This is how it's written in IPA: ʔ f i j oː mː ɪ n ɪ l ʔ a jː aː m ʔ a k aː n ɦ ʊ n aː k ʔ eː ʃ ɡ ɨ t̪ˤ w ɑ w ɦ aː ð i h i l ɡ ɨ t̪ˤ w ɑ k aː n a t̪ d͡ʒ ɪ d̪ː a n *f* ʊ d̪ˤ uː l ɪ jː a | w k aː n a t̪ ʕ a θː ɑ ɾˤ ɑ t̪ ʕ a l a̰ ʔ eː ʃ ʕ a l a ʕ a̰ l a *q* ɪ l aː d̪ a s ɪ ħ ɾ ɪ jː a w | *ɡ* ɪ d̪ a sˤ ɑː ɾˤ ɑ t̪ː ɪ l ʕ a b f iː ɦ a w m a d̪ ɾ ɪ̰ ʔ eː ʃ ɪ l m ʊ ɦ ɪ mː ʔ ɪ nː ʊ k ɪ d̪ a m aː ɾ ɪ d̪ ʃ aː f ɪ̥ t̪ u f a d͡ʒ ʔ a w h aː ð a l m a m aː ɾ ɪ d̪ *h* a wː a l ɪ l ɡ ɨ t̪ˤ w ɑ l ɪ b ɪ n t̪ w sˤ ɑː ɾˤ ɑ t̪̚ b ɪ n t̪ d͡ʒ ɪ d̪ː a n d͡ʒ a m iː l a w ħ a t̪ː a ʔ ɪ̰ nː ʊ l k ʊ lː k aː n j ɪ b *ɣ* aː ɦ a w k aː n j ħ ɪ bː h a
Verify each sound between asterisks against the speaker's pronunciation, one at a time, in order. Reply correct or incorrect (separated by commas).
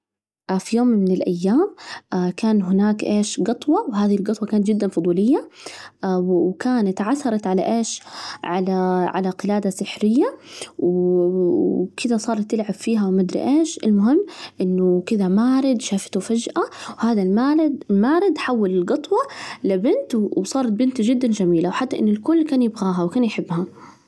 correct, correct, incorrect, incorrect, correct